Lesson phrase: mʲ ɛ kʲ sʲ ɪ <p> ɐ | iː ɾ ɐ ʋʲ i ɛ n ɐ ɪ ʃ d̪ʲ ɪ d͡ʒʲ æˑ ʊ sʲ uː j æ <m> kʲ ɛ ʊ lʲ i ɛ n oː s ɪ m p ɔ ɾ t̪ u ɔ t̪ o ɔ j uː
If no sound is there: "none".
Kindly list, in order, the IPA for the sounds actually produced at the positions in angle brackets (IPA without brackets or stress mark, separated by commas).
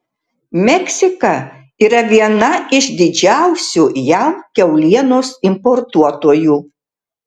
k, m